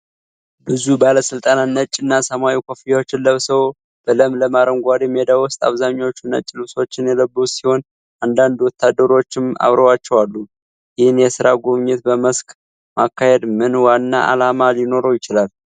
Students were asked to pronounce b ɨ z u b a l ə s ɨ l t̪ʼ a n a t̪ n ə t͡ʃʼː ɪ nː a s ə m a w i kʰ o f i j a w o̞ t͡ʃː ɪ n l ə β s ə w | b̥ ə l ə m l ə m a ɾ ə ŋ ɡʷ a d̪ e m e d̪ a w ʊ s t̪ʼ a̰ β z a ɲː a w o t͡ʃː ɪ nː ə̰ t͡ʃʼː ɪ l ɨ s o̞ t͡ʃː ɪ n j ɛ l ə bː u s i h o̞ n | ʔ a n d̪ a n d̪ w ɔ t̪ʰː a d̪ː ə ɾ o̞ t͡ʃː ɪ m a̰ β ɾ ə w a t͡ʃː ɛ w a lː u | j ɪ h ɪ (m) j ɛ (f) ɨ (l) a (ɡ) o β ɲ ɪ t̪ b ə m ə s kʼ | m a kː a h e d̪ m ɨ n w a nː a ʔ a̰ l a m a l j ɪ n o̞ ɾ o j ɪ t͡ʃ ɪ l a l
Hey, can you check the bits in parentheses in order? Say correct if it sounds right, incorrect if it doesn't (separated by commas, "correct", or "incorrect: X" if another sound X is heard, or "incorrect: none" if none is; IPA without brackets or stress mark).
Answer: incorrect: n, incorrect: s, incorrect: ɾ, correct